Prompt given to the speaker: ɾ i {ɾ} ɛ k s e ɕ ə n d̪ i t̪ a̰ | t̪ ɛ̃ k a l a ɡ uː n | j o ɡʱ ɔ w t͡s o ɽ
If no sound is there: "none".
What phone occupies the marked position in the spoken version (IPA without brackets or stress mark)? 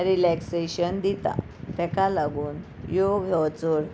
l